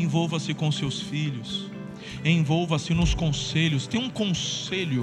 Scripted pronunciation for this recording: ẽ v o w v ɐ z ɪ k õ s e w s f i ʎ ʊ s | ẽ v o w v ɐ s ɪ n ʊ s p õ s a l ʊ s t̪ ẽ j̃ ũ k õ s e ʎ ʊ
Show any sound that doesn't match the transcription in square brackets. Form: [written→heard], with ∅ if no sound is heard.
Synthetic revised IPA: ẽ v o w v ɐ [z→s] ɪ k õ s e w s f i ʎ ʊ s | ẽ v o w v ɐ s ɪ n ʊ s [p→k] õ s [a→e] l ʊ s t̪ ẽ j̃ ũ k õ s e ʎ ʊ